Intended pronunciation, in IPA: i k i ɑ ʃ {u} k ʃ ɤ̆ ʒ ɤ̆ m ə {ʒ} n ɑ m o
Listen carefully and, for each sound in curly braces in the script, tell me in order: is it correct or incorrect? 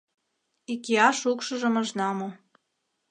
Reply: correct, correct

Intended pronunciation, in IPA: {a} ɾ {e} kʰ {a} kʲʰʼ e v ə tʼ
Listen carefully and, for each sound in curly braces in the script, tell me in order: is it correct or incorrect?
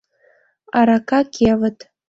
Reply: correct, incorrect: a, correct

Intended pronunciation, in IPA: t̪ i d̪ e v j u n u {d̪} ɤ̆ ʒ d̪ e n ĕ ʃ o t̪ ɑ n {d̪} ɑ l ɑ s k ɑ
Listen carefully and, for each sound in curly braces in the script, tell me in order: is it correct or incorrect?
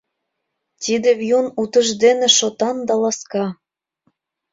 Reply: incorrect: t̪, correct

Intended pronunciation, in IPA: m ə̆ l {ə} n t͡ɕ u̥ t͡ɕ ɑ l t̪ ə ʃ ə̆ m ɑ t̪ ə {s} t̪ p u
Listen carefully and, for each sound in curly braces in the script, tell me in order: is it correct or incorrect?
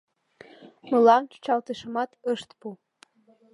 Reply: incorrect: ɑ, incorrect: ʃ

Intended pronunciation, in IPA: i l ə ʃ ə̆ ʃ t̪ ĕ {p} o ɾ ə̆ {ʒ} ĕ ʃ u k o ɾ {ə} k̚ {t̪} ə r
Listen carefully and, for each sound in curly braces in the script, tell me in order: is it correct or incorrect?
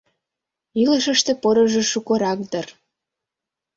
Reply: correct, correct, incorrect: ɑ, incorrect: d̪

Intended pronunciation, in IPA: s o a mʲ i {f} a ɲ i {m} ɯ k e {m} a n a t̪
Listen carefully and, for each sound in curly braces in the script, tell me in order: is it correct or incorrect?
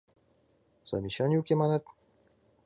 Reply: incorrect: ɕ, incorrect: none, correct

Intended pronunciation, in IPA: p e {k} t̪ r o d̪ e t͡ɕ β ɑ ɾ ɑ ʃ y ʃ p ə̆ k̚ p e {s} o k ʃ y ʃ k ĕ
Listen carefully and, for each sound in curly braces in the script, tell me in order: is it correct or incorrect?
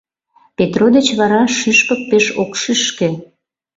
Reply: incorrect: none, incorrect: ʃ

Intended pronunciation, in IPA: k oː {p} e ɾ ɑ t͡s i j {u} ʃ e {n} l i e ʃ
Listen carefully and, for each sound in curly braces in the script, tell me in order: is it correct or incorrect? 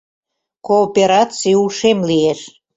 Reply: correct, correct, incorrect: m

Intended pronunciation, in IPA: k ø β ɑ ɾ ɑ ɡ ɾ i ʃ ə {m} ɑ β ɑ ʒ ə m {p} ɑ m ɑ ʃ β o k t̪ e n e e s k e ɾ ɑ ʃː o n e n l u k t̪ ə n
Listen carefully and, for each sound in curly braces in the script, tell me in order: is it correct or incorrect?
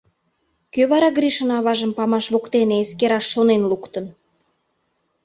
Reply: incorrect: n, correct

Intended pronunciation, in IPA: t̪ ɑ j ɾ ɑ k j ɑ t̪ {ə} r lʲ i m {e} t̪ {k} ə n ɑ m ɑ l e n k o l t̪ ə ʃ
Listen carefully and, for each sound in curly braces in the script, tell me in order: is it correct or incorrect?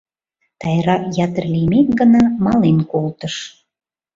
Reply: correct, correct, incorrect: ɡ

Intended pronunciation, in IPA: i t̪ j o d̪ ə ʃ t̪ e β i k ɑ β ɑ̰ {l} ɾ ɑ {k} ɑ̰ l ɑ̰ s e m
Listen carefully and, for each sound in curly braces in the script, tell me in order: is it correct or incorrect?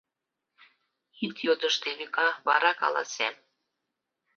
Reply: incorrect: none, correct

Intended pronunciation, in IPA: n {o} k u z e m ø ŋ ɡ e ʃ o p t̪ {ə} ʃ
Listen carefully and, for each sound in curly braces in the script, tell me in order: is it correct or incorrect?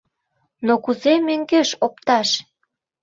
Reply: correct, incorrect: ɑ

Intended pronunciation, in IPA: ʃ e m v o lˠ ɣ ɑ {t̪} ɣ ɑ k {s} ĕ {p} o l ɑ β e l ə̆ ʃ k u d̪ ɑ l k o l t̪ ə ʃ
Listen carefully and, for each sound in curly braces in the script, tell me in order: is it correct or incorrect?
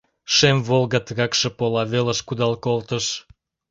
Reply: correct, incorrect: ʃ, correct

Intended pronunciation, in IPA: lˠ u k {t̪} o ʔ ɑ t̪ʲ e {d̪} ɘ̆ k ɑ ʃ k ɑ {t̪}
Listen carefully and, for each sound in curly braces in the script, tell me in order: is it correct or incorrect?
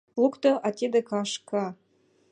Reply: correct, correct, incorrect: none

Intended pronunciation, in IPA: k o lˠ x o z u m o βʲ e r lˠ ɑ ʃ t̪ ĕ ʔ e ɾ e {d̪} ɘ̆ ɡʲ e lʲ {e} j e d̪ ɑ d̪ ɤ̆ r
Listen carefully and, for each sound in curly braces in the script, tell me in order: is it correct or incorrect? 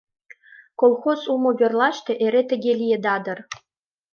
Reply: incorrect: t̪, incorrect: i

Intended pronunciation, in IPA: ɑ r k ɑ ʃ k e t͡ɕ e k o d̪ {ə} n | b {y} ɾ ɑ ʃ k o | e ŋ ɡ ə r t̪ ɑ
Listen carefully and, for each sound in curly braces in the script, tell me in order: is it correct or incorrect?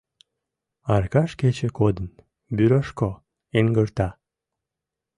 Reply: correct, correct

